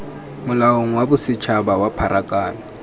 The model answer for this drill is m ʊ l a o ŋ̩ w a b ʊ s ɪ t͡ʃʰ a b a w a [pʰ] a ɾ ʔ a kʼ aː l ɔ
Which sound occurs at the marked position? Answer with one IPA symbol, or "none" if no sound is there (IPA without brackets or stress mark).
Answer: pʰ